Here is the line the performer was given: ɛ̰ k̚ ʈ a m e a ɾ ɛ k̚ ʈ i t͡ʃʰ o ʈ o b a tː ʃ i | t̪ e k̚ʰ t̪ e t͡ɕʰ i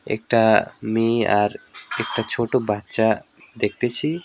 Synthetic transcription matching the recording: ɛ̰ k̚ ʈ a m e a ɾ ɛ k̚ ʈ a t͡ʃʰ o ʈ o b a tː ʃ a | d̪ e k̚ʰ t̪ e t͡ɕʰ i